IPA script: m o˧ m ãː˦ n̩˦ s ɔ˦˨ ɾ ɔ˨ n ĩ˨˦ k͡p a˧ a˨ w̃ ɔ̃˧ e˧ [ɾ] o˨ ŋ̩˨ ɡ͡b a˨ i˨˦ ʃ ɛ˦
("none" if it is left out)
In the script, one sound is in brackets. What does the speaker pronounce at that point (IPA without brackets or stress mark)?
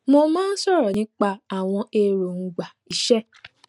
ɾ